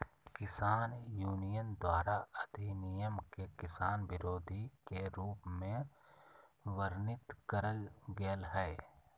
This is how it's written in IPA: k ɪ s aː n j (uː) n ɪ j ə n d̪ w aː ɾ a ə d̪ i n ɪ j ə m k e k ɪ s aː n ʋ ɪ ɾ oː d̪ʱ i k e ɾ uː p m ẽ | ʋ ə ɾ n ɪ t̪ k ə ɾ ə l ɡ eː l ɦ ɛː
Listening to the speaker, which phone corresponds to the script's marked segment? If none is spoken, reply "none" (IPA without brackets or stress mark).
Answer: uː